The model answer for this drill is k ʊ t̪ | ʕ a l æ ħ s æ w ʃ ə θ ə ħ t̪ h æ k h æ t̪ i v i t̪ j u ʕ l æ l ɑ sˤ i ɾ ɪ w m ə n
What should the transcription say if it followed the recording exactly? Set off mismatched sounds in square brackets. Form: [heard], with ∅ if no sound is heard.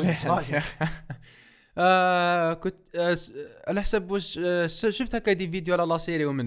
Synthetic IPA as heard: k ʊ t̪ | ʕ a l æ ħ s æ [b] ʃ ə [ʃ] ə [f] t̪ h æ k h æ [d̪] i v i [d̪] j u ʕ l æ l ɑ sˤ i ɾ [i] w m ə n